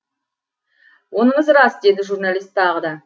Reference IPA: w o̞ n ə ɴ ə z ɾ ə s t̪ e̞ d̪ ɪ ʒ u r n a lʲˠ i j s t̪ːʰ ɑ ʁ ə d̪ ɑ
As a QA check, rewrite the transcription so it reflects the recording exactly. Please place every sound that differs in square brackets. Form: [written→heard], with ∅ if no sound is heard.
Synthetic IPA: w o̞ n ə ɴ ə z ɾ [ə→ɑ] s [t̪→d̪] e̞ d̪ ɪ ʒ u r n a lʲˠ i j s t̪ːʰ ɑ ʁ ə d̪ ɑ